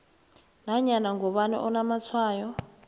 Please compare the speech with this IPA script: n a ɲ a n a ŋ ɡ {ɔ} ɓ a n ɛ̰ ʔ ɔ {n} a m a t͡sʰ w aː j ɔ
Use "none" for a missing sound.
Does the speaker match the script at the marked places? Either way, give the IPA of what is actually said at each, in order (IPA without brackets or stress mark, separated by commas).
ɔ, n